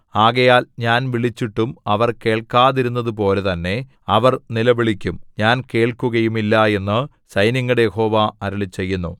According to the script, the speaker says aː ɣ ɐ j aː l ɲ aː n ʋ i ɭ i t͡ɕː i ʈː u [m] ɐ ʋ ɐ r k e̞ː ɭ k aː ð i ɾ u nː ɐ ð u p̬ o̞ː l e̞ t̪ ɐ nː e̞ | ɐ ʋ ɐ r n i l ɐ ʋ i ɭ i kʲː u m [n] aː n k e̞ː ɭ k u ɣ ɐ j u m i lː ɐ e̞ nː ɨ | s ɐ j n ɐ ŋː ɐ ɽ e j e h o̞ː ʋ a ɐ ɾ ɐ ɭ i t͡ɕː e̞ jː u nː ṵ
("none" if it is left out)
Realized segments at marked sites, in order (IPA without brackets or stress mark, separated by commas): m, ɲ